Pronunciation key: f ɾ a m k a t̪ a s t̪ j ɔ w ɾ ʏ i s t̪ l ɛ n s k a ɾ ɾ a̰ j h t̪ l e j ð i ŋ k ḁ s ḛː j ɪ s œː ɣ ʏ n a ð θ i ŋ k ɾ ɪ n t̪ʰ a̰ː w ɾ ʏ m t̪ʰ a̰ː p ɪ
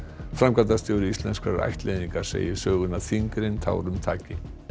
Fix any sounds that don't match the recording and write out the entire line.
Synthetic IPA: f ɾ a m k a t̪ a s t̪ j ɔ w ɾ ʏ i s t̪ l ɛ n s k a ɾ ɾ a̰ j h t̪ l e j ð i ŋ k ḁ s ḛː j ɪ s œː ɣ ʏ n a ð θ i ŋ k ɾ ɪ n t̪ʰ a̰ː w ɾ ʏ m t̪ʰ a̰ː c ɪ